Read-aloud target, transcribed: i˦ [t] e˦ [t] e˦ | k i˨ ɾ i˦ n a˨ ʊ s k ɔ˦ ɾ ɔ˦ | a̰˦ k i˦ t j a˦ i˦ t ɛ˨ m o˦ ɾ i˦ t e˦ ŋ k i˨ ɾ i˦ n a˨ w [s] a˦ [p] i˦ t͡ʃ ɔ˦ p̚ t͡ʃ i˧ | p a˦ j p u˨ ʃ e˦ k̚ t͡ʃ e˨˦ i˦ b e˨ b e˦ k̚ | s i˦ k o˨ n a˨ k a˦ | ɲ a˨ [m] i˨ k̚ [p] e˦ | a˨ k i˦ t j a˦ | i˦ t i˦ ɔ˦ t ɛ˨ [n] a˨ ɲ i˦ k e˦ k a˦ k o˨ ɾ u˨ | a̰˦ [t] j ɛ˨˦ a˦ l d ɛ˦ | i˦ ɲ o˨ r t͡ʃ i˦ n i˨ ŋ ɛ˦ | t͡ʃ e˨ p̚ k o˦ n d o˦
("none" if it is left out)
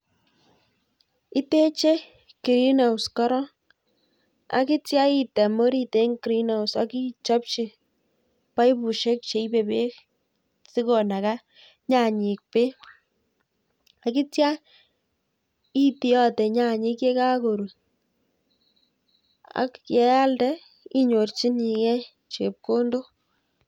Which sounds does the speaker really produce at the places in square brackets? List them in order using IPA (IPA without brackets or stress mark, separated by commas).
t, t͡ʃ, s, k, ɲ, p, ɲ, k